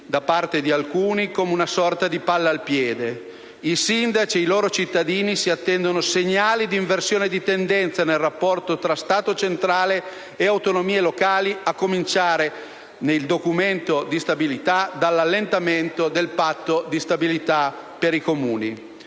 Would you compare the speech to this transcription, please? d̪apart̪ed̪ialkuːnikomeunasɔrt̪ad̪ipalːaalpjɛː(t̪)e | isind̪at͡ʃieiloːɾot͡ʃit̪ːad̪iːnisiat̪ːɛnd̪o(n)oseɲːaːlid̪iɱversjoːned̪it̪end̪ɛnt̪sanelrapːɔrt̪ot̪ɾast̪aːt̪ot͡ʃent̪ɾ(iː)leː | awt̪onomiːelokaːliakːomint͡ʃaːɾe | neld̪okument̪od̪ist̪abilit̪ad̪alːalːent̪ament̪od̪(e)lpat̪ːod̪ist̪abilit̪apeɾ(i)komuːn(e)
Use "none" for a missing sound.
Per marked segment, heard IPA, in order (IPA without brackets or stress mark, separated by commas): d̪, n, aː, e, i, i